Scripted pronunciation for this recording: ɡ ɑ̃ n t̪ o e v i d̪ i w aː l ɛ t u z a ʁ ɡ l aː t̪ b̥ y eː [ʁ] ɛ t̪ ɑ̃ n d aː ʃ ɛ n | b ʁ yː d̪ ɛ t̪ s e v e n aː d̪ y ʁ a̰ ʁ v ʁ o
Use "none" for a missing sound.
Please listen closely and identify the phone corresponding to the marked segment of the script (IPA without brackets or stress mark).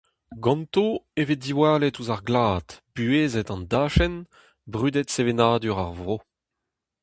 z